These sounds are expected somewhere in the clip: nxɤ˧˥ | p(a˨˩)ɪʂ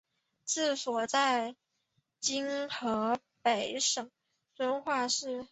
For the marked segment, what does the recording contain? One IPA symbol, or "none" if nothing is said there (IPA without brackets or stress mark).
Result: e˨˩